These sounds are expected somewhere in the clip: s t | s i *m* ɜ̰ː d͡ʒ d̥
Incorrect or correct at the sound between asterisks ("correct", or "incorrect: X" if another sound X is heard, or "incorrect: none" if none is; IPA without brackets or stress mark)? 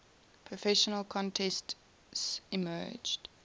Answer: correct